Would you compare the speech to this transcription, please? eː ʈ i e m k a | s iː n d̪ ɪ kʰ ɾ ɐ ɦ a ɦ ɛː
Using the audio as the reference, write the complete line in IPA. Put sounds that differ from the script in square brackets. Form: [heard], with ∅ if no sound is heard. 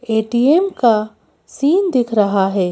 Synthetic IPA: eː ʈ i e m k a | s iː n d̪ ɪ kʰ ɾ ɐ ɦ a ɦ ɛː